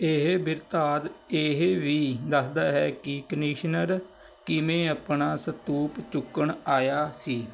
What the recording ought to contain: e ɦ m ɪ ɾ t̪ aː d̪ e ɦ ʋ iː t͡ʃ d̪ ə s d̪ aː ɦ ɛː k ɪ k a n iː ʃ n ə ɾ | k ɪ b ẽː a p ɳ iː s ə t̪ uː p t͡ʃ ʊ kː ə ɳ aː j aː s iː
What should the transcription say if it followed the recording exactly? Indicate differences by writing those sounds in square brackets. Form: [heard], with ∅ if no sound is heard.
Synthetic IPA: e ɦ [b] ɪ ɾ t̪ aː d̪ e ɦ ʋ iː [∅] d̪ ə s d̪ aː ɦ ɛː k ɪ k [ə] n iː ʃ n ə ɾ | k ɪ [m] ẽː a p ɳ [aː] s ə t̪ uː p t͡ʃ ʊ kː ə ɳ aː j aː s iː